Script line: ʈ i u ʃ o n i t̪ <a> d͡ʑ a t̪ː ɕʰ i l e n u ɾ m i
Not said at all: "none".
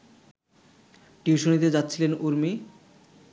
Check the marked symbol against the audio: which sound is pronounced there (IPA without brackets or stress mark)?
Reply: e